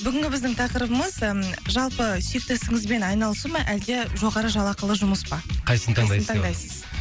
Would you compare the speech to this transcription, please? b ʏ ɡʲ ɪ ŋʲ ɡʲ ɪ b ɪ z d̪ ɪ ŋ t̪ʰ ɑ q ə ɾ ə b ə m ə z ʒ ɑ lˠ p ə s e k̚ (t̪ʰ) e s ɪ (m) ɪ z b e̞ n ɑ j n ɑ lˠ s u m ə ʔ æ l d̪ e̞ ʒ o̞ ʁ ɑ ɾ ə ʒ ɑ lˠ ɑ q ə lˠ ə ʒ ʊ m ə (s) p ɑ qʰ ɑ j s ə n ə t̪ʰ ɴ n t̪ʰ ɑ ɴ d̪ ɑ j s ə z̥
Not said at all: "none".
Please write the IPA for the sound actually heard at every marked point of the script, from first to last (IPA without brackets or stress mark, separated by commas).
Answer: t̪, ŋ, s